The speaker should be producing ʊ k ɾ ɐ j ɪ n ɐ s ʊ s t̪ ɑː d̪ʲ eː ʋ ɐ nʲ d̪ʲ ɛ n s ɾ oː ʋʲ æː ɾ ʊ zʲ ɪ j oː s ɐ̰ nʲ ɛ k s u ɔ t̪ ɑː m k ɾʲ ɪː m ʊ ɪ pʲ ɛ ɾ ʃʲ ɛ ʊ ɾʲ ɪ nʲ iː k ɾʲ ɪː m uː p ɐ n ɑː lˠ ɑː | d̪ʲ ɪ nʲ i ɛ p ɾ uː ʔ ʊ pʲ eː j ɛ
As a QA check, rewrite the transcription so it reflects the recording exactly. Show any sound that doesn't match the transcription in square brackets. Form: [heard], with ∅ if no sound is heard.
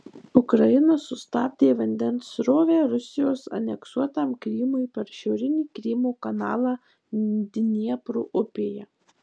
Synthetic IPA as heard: ʊ k ɾ ɐ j ɪ n ɐ s ʊ s t̪ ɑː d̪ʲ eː ʋ ɐ nʲ d̪ʲ ɛ n s ɾ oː ʋʲ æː ɾ ʊ [sʲ] ɪ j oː s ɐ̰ nʲ ɛ k s u ɔ t̪ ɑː m k ɾʲ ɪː m ʊ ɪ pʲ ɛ ɾ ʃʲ ɛ ʊ ɾʲ ɪ nʲ iː k ɾʲ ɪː m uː [k] ɐ n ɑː lˠ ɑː | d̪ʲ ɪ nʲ i ɛ p ɾ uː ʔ ʊ pʲ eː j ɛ